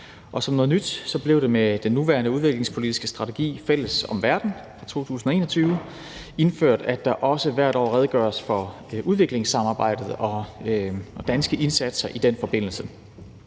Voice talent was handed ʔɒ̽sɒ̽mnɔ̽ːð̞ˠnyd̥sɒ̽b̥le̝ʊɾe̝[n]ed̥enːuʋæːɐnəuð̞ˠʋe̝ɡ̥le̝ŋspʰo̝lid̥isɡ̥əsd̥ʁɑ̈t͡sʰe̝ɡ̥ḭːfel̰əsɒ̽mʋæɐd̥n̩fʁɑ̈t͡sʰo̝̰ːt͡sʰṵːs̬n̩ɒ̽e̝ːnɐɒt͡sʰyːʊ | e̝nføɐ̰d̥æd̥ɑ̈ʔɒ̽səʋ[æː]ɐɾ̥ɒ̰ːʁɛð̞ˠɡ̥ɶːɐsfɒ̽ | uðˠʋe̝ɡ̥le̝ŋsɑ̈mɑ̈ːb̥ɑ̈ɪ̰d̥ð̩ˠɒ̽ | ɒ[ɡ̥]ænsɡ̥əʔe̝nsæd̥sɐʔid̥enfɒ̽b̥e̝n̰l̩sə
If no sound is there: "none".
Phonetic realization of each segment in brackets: m, æ, d̥

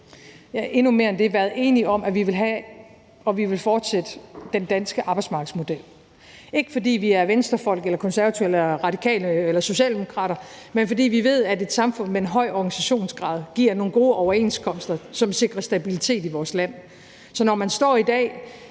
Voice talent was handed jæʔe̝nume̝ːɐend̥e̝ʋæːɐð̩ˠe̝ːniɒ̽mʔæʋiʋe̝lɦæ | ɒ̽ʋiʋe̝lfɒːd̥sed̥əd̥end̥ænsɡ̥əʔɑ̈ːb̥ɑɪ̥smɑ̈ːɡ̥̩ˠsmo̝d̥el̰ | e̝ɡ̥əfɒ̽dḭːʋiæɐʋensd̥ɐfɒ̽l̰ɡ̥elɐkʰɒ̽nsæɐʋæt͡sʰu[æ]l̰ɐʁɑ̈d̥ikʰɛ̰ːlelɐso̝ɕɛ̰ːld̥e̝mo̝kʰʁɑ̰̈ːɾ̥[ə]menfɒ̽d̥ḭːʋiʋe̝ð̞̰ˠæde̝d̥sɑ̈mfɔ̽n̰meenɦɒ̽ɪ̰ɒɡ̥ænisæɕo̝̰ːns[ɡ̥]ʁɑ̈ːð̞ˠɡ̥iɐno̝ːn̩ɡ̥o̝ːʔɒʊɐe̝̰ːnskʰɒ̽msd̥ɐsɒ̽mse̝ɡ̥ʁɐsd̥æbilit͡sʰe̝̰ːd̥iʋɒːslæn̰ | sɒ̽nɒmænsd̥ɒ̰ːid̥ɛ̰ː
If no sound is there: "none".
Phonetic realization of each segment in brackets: e, ɐ, ɡ̥

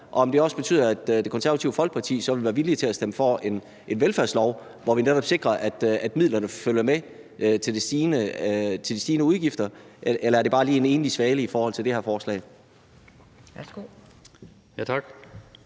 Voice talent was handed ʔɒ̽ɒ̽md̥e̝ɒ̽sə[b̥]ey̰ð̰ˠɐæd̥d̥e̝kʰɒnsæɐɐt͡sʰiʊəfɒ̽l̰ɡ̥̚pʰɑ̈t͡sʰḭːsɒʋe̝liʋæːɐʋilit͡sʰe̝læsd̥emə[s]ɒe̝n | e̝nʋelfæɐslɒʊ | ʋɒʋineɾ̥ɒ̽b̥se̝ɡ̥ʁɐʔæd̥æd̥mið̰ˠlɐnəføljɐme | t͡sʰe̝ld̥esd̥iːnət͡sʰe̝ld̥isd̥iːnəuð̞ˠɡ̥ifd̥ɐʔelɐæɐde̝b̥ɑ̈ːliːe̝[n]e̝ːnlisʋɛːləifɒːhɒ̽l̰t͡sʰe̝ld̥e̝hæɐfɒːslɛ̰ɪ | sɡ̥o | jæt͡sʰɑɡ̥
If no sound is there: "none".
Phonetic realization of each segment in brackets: b̥, f, n

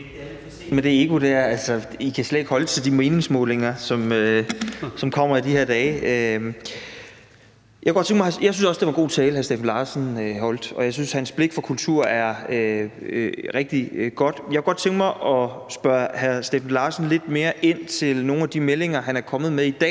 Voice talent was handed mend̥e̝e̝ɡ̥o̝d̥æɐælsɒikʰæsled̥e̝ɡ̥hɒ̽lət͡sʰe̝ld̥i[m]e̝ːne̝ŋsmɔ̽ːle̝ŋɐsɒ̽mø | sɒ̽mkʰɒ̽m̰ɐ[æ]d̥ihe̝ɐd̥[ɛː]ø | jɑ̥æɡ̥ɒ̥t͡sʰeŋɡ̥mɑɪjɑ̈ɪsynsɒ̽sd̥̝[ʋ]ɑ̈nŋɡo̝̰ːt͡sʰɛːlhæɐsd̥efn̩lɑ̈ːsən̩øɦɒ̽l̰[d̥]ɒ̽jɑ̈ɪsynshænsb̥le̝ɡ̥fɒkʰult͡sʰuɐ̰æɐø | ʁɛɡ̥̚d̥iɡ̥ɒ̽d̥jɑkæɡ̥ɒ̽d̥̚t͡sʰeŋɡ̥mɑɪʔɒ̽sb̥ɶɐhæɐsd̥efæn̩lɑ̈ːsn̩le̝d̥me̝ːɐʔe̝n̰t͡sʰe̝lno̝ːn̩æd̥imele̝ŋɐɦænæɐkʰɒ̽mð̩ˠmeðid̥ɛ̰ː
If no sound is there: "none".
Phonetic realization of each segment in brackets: m, i, ɛː, ʋ, d̥

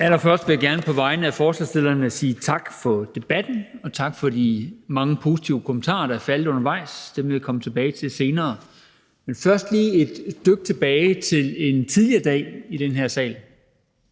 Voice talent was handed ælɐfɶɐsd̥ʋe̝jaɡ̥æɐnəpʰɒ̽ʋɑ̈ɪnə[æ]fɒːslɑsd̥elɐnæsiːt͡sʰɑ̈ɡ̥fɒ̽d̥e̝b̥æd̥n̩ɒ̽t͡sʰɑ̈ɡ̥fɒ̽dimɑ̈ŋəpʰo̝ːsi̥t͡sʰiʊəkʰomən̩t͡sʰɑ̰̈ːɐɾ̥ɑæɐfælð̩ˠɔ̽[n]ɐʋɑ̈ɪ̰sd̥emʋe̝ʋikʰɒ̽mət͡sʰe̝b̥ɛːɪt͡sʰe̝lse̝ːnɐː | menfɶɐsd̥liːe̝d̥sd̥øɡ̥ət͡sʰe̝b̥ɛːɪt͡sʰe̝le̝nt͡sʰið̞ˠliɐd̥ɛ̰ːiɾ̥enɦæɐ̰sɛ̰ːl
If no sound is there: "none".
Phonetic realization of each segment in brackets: æ, n

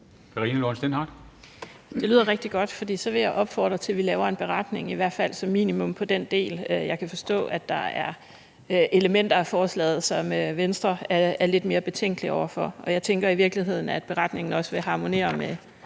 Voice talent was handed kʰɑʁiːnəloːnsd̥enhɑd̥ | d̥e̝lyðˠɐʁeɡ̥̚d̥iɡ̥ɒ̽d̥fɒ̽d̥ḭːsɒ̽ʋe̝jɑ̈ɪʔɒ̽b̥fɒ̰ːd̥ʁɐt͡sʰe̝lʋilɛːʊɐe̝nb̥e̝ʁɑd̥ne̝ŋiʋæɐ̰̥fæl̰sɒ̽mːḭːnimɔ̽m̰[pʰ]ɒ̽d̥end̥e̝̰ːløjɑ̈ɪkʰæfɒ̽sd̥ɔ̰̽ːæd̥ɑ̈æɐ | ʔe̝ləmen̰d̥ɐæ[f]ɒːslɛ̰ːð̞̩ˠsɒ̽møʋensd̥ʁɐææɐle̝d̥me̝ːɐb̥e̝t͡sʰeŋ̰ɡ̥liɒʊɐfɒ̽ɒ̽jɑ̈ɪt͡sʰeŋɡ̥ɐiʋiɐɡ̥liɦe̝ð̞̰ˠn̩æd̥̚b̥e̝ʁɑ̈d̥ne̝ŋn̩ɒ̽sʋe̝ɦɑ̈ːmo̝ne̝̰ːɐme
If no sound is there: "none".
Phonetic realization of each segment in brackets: pʰ, f

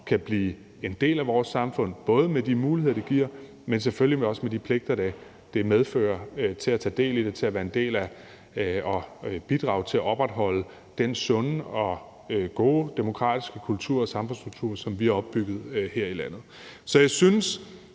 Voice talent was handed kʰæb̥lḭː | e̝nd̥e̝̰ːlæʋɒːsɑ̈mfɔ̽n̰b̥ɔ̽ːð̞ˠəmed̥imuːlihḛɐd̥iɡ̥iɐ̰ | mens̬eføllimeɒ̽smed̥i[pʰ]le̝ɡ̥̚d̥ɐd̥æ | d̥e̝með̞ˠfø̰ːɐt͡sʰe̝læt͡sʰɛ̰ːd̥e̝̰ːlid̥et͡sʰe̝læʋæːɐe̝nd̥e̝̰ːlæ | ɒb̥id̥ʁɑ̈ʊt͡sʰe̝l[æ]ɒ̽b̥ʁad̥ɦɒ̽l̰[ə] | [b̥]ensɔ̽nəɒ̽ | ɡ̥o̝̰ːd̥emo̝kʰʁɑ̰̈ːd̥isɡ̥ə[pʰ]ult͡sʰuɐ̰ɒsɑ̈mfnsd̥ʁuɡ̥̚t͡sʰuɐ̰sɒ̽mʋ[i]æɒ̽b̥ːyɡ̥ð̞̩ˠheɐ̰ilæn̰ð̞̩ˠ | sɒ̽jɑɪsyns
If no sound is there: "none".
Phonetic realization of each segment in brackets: pʰ, æ, ə, d̥, kʰ, i

